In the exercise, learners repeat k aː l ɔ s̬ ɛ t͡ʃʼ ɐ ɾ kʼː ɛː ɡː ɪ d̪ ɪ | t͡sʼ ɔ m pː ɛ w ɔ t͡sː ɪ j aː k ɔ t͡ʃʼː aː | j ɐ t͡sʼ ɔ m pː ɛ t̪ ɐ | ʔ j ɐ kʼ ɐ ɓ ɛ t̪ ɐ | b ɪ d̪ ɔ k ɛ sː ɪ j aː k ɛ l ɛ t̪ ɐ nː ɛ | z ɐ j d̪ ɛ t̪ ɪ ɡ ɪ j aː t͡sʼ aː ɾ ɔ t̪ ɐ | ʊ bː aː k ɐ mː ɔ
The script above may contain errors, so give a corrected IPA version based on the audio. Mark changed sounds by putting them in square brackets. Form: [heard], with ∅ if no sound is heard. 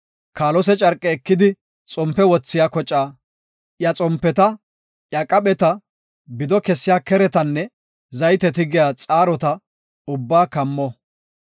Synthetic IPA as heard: k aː l ɔ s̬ ɛ t͡ʃʼ ɐ ɾ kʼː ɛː [kː] ɪ d̪ ɪ | t͡sʼ ɔ m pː ɛ w ɔ t͡sː ɪ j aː k ɔ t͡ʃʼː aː | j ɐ t͡sʼ ɔ m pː ɛ t̪ ɐ | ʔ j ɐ kʼ ɐ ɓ ɛ t̪ ɐ | b ɪ d̪ ɔ k ɛ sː ɪ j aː k ɛ [ɾ] ɛ t̪ ɐ nː ɛ | z ɐ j [t̪] ɛ t̪ ɪ ɡ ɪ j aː t͡sʼ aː ɾ ɔ t̪ ɐ | ʊ bː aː k ɐ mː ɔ